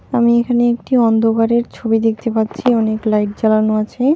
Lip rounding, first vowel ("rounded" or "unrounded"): unrounded